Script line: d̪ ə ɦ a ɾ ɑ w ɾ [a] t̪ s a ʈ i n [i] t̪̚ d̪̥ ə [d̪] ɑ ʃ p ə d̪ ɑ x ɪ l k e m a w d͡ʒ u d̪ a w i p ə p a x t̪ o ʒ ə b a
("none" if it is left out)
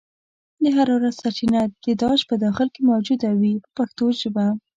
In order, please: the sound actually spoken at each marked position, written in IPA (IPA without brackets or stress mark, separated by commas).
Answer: a, a, d̪